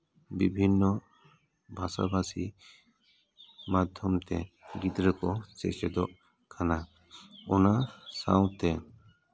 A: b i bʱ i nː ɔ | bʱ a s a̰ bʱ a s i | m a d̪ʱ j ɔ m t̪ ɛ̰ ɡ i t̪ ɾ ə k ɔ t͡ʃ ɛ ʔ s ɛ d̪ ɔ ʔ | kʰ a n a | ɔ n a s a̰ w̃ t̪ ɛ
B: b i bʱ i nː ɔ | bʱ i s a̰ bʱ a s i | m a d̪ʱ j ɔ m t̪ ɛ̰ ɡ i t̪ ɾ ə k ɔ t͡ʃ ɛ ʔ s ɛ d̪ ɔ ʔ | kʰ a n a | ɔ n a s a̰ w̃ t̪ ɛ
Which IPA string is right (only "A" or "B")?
A